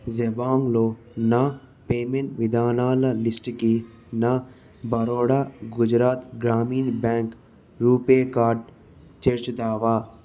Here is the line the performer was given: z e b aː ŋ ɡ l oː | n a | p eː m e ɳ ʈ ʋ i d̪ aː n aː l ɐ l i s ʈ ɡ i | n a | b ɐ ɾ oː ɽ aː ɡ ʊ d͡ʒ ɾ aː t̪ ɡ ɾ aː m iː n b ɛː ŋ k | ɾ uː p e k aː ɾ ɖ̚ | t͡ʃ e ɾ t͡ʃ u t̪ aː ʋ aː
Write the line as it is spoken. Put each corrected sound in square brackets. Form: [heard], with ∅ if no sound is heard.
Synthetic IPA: z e b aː ŋ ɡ l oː | n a | p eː m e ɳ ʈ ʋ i d̪ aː n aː l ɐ l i s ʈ [k] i | n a | b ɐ ɾ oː ɽ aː ɡ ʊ d͡ʒ ɾ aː t̪ ɡ ɾ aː m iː n b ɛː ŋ k | ɾ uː p e k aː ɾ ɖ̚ | t͡ʃ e ɾ t͡ʃ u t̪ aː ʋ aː